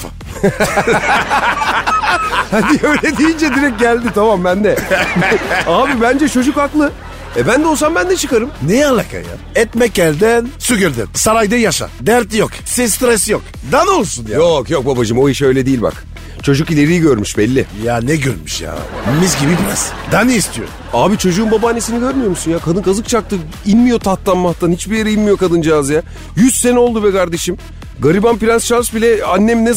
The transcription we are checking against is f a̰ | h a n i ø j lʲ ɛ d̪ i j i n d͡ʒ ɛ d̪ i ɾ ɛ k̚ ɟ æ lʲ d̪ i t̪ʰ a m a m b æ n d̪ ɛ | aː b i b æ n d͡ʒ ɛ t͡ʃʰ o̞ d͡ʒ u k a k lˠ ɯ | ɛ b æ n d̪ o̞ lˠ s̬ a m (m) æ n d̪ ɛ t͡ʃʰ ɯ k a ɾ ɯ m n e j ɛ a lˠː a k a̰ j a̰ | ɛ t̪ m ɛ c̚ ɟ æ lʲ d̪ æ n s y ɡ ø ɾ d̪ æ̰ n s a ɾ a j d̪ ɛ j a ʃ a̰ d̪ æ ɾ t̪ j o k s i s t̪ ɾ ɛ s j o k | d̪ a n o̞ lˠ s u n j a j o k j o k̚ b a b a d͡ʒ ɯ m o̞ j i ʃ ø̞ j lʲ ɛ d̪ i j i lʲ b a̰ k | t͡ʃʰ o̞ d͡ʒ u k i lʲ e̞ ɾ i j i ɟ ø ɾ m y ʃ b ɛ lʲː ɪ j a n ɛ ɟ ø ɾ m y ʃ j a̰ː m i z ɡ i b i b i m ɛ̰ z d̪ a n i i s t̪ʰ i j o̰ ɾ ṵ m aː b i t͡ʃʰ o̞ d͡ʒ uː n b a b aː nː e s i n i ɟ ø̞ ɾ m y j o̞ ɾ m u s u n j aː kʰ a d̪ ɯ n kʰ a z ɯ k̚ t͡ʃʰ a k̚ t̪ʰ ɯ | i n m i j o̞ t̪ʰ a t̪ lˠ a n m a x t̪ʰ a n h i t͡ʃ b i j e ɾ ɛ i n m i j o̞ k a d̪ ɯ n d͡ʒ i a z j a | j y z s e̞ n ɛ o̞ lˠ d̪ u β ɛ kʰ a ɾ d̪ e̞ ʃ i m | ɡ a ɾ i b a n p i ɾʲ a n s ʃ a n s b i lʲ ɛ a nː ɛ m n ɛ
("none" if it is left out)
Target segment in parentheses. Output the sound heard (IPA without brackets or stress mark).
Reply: b